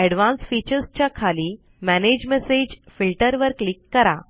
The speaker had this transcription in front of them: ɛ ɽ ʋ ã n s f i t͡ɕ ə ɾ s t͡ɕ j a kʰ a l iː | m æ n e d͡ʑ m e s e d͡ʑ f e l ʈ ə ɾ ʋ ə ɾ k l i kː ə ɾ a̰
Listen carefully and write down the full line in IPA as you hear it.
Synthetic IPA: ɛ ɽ ʋ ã n s f i t͡ɕ ə ɾ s t͡ɕ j a kʰ a l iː | m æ n e d͡ʑ m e s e d͡ʑ f i l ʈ ə ɾ ʋ ə ɾ k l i kː ə ɾ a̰